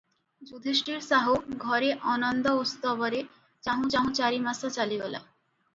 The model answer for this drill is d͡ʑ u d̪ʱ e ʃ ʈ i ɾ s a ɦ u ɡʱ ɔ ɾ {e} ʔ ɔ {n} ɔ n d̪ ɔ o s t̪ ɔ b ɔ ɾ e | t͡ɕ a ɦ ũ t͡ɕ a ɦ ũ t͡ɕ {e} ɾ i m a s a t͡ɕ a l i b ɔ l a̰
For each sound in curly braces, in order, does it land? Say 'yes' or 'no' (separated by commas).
yes, yes, no